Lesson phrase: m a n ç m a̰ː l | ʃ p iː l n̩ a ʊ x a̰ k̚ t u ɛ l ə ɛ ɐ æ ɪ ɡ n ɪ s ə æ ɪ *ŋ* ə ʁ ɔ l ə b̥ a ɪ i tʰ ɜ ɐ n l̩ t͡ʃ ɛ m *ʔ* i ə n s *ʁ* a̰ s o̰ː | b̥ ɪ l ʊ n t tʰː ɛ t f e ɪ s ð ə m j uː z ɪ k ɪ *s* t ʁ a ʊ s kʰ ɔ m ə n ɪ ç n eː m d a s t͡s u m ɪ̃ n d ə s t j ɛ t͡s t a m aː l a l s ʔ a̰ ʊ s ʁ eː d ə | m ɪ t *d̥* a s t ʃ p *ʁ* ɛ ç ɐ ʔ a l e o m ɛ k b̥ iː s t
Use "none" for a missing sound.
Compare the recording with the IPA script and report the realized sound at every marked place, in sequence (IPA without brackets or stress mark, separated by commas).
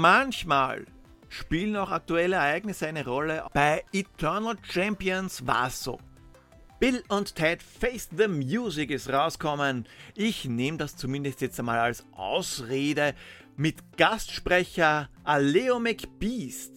n, p, v, s, ɡ̥, ʁ